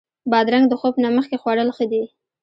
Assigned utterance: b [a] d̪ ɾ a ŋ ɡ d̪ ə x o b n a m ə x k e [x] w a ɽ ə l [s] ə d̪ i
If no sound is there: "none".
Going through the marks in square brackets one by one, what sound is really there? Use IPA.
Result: ɑ, x, x

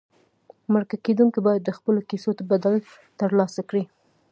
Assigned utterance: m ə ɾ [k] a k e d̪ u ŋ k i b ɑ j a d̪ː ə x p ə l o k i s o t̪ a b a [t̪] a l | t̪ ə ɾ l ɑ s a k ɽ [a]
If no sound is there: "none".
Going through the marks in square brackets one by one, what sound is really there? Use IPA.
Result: k, d̪, i

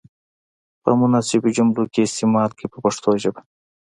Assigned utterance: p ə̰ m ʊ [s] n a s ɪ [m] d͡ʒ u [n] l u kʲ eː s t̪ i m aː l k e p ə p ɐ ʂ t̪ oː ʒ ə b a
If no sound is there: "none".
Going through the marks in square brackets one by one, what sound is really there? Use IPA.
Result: none, b, m

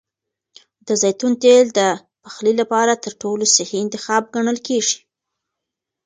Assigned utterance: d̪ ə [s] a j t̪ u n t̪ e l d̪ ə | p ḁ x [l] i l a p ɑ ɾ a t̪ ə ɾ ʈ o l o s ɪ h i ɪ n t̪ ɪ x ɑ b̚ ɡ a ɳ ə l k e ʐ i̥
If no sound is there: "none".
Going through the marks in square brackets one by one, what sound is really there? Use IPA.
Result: z, l

